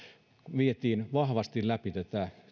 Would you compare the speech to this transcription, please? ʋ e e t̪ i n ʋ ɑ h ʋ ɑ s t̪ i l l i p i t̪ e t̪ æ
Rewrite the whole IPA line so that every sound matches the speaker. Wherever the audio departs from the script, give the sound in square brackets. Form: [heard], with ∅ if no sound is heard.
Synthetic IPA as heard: ʋ [i] e t̪ [iː] n ʋ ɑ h ʋ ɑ s t̪ i l l [æ] p i t̪ [æ] t̪ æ